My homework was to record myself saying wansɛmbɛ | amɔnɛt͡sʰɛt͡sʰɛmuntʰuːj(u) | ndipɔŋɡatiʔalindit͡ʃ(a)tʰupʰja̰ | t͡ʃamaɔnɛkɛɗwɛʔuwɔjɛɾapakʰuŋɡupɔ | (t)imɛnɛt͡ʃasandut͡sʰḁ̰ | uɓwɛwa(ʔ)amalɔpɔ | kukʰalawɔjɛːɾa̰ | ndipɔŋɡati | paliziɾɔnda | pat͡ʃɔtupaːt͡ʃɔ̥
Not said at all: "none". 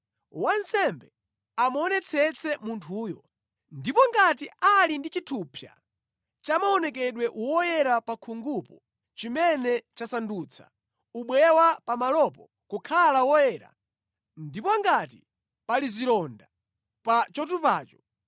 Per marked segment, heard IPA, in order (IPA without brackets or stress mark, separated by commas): ɔ, i, t͡ʃ, p